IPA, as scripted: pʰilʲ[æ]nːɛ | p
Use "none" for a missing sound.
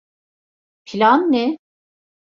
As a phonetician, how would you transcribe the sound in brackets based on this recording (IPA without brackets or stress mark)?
a